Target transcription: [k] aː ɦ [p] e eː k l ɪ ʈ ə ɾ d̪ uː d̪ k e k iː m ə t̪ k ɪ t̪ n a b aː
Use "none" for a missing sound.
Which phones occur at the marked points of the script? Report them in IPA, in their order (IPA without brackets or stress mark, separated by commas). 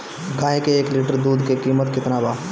ɡ, k